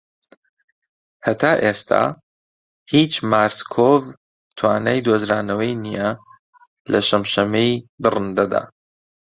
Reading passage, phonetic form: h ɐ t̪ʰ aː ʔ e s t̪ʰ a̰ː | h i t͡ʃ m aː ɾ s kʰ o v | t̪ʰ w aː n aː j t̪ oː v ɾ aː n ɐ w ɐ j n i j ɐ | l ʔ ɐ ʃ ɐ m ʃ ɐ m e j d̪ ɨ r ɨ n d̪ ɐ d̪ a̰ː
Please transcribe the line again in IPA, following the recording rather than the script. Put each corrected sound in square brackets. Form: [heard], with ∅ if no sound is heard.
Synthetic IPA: h ɐ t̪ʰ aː ʔ e s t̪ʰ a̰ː | h i t͡ʃ m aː ɾ s kʰ o v | t̪ʰ w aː n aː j [d̪] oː [z] ɾ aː n ɐ w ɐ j n i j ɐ | l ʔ ɐ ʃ ɐ m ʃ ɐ m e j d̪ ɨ r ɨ n d̪ ɐ d̪ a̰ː